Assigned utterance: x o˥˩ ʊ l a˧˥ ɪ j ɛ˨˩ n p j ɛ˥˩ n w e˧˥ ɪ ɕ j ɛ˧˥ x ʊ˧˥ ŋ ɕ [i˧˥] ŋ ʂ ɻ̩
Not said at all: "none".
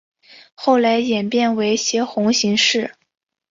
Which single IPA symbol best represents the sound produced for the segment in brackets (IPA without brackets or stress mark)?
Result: i˧˥